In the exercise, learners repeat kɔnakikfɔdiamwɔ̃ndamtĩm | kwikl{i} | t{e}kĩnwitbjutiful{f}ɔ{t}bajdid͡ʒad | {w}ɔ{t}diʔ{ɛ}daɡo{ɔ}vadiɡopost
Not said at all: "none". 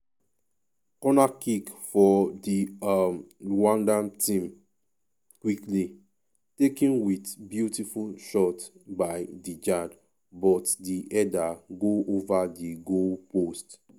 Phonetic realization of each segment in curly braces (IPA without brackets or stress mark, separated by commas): i, e, ʃ, t, b, t, ɛ, o